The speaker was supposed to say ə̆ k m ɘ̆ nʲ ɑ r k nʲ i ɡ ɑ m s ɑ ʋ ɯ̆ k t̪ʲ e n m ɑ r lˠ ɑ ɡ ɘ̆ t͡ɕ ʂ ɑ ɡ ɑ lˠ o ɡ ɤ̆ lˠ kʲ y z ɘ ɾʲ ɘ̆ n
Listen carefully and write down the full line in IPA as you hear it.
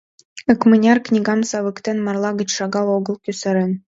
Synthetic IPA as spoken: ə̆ k m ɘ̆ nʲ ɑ r k nʲ i ɡ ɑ m s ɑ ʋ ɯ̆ k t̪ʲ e n m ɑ r lˠ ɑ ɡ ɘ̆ t͡ɕ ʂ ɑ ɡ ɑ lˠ o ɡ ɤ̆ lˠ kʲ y s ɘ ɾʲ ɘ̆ n